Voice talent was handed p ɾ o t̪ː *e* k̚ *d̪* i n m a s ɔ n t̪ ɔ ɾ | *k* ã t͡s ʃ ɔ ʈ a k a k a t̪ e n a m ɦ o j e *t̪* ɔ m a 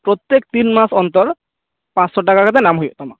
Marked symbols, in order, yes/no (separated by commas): yes, no, no, yes